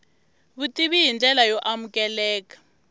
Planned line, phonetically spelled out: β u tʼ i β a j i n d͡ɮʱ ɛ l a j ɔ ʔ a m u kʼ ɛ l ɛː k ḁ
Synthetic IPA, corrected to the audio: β u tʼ i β i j i n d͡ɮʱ ɛ l a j ɔ ʔ a m u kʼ ɛ l ɛː k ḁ